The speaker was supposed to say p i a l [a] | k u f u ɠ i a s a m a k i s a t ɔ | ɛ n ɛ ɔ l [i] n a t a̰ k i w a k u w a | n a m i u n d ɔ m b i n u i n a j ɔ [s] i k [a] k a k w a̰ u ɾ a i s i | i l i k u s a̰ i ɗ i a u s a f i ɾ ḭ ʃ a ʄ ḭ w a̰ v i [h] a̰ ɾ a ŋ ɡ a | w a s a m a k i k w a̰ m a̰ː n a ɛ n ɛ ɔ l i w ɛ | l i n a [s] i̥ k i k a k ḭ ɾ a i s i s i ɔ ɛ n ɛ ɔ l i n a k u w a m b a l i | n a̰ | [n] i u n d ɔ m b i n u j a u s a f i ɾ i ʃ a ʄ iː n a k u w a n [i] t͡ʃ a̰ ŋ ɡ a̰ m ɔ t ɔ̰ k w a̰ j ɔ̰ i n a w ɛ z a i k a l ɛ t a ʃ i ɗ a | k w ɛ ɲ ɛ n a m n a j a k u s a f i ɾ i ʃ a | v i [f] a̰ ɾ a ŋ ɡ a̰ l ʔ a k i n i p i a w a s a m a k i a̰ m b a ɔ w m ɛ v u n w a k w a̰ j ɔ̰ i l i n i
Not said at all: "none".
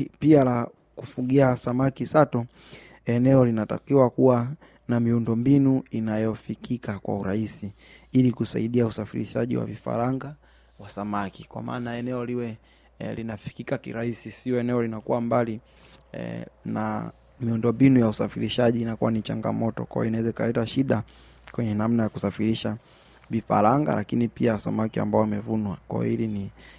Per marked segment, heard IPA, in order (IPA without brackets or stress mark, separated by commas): a, i, f, i, f, f, m, i, f